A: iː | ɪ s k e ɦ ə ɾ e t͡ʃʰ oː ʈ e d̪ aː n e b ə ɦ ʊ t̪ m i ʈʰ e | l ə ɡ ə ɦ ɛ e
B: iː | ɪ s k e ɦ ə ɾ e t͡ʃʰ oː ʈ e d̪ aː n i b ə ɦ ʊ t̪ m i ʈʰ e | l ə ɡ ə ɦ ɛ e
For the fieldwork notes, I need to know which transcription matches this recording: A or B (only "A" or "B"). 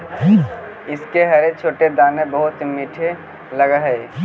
A